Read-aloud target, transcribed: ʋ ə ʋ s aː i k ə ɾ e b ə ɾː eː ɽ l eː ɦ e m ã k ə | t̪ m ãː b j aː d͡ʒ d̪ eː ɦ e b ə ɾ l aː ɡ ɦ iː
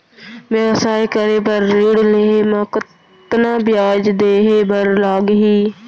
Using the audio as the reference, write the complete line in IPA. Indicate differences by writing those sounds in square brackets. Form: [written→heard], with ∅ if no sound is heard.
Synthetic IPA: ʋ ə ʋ s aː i k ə ɾ e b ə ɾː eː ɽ l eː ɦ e m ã k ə | t̪ [m→n] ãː b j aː d͡ʒ d̪ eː ɦ e b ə ɾ l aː ɡ ɦ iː